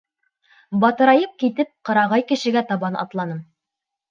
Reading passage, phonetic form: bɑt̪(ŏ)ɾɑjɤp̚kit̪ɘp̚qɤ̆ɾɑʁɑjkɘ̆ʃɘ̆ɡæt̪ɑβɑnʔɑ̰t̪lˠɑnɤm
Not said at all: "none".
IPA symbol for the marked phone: ɤ̆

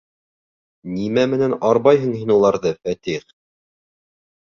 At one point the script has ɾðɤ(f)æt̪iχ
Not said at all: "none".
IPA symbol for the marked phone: f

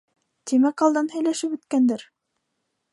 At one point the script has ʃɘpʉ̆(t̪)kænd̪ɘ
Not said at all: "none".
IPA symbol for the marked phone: t̪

